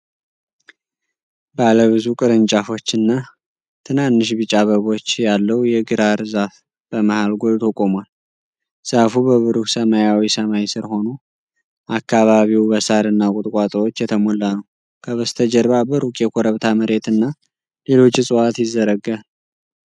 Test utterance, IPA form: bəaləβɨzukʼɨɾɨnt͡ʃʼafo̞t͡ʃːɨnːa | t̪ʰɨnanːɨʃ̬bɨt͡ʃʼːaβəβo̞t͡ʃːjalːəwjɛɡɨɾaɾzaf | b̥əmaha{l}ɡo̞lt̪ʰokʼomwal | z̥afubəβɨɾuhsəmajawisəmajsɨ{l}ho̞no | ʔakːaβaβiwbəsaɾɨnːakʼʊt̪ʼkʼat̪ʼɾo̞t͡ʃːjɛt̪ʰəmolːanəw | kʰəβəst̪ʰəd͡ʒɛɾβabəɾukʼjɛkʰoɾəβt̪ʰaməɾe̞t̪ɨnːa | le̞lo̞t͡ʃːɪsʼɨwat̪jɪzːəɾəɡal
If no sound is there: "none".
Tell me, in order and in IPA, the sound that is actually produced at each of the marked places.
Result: l, ɾ

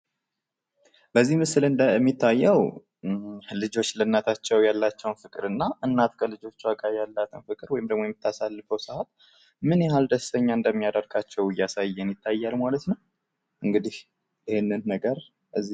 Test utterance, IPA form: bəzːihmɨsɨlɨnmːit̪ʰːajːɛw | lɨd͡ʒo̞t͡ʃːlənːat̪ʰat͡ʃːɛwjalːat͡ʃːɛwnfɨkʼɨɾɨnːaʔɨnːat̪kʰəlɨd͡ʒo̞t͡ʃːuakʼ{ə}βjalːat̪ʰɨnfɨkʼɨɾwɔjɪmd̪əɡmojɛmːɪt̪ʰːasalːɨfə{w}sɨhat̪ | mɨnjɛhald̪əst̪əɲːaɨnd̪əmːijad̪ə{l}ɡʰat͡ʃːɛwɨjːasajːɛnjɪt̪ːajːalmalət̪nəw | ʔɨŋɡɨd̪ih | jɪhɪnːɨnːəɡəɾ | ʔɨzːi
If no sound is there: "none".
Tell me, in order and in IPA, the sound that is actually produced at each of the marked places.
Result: a, w, ɾ

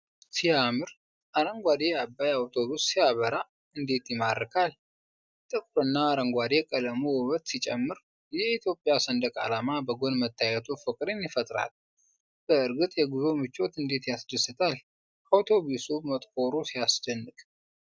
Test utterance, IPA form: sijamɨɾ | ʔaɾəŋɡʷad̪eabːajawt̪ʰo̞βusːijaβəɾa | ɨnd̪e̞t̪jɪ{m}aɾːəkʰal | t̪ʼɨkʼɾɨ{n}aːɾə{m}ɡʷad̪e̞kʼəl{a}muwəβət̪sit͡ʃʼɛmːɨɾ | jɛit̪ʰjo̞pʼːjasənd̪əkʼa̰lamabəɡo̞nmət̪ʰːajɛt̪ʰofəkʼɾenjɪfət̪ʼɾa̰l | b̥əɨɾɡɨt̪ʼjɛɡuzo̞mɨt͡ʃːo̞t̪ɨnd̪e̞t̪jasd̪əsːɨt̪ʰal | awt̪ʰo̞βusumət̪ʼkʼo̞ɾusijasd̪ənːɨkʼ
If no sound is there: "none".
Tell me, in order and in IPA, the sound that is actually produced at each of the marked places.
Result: m, nː, ŋ, ə

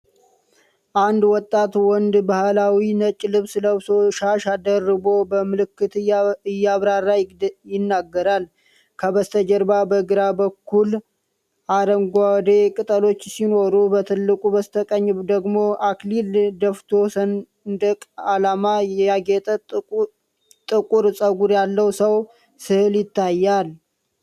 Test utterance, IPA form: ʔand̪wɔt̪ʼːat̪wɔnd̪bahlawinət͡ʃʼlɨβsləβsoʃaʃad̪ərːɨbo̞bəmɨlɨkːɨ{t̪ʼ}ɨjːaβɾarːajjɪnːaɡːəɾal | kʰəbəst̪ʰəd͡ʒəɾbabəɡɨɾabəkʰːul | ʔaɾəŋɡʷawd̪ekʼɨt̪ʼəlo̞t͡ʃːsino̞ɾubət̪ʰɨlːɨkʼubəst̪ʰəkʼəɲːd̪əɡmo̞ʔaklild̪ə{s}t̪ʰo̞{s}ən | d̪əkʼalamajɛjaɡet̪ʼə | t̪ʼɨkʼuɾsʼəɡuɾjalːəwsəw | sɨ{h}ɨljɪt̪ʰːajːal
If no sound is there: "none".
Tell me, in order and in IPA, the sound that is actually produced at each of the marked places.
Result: t̪, f, s, h

